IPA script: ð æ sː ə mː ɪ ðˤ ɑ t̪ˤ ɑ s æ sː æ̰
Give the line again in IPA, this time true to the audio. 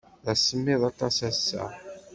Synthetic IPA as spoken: ð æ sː ə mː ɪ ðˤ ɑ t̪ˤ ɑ s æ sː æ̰